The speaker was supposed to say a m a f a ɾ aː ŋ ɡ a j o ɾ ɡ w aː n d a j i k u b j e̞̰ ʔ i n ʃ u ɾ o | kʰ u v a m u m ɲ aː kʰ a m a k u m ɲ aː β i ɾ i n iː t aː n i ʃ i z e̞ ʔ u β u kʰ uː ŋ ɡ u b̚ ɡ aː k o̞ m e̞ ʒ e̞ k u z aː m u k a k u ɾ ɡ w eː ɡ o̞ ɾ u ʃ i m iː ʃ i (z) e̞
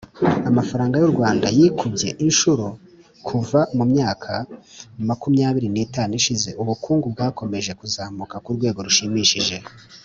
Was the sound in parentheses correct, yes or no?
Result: no